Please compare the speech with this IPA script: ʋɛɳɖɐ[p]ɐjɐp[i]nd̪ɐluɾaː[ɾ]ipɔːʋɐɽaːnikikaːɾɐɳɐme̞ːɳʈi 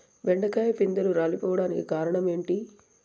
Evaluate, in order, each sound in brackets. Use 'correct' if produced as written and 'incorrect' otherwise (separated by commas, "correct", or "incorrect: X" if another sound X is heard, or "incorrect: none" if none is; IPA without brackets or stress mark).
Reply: incorrect: k, correct, incorrect: l